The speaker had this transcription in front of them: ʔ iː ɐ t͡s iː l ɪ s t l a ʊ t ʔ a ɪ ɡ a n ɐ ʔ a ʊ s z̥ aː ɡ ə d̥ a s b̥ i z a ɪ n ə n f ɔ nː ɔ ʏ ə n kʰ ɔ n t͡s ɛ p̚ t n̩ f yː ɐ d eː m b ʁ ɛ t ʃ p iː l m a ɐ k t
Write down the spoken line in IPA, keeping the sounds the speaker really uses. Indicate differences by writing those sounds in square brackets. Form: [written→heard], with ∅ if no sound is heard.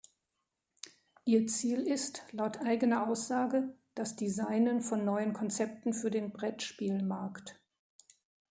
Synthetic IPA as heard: ʔ iː ɐ t͡s iː l ɪ s t l a ʊ t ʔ a ɪ ɡ [a→ə] n ɐ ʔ a ʊ s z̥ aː ɡ ə d̥ a s [b̥→d̥] i z a ɪ n ə n f ɔ nː ɔ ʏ ə n kʰ ɔ n t͡s ɛ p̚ t n̩ f yː ɐ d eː [m→n] b ʁ ɛ t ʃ p iː l m a ɐ k t